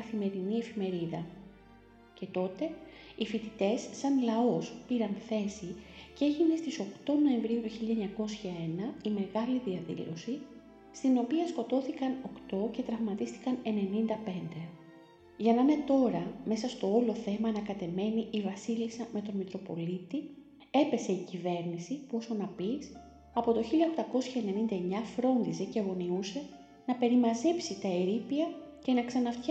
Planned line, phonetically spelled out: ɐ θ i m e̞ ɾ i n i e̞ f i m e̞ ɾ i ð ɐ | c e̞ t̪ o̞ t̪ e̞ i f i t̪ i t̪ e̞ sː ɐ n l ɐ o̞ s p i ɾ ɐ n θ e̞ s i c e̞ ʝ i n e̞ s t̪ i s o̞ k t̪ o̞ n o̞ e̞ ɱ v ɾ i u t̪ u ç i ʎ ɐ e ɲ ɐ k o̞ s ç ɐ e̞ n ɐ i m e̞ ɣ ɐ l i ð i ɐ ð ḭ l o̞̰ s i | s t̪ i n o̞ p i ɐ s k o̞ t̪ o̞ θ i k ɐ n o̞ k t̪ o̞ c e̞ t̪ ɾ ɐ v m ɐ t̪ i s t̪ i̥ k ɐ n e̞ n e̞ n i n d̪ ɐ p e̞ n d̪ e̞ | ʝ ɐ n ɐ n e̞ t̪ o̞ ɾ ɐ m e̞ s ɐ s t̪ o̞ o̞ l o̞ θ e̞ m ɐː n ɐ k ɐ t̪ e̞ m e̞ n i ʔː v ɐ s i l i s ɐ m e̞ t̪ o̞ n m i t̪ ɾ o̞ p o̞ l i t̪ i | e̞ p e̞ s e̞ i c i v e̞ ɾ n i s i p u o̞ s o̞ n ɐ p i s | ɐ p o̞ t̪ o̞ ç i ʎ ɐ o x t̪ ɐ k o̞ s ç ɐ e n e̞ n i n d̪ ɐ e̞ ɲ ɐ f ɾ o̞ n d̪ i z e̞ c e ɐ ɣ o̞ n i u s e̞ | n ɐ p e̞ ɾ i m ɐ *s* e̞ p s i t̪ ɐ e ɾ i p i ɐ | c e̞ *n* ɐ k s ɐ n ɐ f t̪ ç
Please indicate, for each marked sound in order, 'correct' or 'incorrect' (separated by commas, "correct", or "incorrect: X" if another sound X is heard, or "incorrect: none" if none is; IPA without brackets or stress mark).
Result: incorrect: z, correct